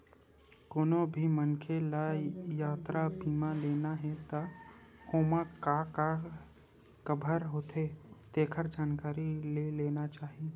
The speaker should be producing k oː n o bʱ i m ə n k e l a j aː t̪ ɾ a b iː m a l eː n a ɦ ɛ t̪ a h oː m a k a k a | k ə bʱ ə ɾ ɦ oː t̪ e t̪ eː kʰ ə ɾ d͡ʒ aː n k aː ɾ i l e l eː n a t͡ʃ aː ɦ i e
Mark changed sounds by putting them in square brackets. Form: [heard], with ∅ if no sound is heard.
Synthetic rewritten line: k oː n o bʱ i m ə n [kʰ] e l a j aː t̪ ɾ a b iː m a l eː n a ɦ ɛ t̪ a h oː m a k a k a | k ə bʱ ə ɾ ɦ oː t̪ e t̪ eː kʰ ə ɾ d͡ʒ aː n k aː ɾ i l e l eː n a t͡ʃ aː ɦ i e